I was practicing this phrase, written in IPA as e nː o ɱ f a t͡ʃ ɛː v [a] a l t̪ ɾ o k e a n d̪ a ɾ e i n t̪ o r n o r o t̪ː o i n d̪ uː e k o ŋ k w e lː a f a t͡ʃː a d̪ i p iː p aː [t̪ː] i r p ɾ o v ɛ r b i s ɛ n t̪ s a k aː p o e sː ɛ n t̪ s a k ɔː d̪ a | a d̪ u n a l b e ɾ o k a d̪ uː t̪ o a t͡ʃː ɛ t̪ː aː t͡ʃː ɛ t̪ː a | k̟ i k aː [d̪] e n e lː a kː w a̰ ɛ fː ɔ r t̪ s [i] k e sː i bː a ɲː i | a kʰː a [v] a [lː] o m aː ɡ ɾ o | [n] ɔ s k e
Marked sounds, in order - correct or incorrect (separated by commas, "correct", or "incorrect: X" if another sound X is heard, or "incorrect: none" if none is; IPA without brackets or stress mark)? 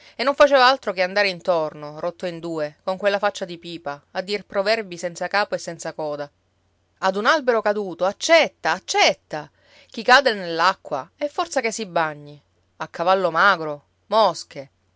correct, incorrect: d̪ː, correct, incorrect: a, correct, correct, incorrect: m